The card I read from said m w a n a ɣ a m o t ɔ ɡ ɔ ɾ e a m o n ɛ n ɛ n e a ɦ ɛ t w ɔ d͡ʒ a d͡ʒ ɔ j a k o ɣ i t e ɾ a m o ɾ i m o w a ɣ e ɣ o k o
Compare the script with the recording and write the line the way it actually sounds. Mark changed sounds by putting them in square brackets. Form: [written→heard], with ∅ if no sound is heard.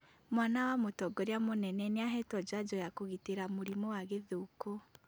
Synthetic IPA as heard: m w a n a [ɣ→w] a m o t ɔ ɡ ɔ ɾ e a m o n ɛ n ɛ n e a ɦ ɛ t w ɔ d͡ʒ a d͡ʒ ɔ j a k o ɣ i t e ɾ a m o ɾ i m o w a ɣ e [ɣ→ð] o k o